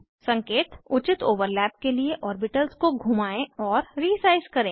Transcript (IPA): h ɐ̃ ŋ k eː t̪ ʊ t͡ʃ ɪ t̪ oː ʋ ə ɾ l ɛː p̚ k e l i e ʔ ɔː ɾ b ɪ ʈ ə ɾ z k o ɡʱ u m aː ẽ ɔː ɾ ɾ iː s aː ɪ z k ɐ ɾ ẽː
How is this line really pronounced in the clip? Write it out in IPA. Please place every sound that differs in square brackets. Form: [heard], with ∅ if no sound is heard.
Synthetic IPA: [s] ɐ̃ ŋ k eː t̪ ʊ t͡ʃ ɪ t̪ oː ʋ ə ɾ l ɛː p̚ k e l i e ʔ ɔː ɾ b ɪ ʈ ə [l] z k o ɡʱ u m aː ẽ ɔː ɾ ɾ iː s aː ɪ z k ɐ ɾ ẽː